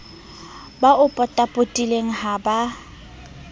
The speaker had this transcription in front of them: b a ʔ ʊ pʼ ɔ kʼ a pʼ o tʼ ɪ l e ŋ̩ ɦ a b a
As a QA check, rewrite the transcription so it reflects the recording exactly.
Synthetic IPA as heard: b a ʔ ʊ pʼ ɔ tʼ a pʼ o tʼ i l e ŋ̩ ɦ a b a